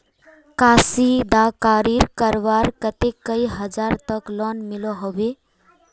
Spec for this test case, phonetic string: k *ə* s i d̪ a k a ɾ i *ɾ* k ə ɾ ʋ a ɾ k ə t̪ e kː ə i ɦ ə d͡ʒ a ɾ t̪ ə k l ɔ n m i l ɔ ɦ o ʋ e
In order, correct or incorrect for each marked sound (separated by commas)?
incorrect, correct